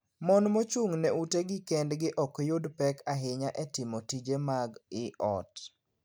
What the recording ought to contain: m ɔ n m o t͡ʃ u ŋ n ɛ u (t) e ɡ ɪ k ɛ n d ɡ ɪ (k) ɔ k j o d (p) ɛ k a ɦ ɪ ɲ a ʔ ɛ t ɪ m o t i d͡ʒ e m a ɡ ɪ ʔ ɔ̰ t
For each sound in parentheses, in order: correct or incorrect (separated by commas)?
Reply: correct, incorrect, correct